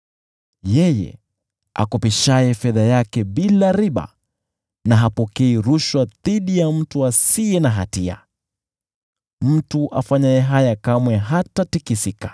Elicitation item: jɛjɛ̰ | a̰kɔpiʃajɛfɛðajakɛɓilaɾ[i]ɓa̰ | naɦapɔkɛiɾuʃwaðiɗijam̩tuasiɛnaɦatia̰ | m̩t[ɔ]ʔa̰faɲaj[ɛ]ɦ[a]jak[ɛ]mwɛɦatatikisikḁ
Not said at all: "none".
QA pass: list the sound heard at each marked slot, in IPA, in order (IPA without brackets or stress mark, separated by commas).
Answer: i, u, ɛ, a, a